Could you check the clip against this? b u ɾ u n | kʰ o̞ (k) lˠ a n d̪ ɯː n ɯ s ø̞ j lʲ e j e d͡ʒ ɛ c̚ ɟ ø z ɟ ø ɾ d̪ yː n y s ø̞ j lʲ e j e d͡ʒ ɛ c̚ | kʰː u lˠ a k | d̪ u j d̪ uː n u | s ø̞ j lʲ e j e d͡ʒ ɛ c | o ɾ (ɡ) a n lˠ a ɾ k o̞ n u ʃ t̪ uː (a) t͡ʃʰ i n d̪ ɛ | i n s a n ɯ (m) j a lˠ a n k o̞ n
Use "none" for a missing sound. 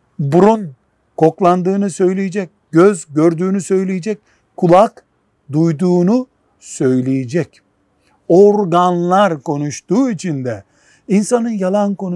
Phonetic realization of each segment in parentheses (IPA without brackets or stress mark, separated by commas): k, ɡ, i, n